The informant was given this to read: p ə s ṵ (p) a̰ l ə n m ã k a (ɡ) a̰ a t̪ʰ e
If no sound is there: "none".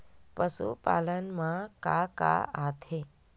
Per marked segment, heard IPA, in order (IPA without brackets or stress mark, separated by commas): p, k